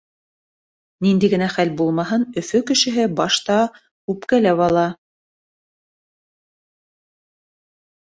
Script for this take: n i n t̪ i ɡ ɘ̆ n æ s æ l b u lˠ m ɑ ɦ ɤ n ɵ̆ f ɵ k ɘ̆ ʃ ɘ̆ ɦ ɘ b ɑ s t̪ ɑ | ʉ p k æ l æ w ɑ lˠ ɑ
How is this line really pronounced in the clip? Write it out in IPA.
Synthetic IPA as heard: n i n d̪ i ɡ ɘ̆ n æ χ æ l b u lˠ m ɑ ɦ ɤ n ɵ̆ f ɵ k ɘ̆ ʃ ɘ̆ ɦ ɘ b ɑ ʃ t̪ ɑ | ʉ p k æ l æ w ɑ lˠ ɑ